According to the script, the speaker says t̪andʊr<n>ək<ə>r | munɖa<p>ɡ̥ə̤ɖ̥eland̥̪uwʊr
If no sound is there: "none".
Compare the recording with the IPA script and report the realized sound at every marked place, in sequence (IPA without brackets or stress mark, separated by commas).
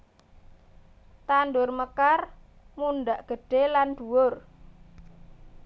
m, a, ʔ